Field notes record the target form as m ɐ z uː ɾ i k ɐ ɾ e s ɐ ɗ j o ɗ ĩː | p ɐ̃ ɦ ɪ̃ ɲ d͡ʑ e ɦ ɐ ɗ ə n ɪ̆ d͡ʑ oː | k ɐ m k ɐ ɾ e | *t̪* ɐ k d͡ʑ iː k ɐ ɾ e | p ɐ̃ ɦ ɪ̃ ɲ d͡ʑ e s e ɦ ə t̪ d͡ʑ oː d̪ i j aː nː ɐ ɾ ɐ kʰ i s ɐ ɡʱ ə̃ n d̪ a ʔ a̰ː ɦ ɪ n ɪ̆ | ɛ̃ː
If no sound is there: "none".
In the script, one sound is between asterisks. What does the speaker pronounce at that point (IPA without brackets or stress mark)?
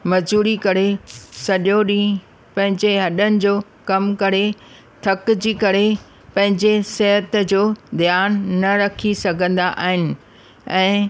t̪ʰ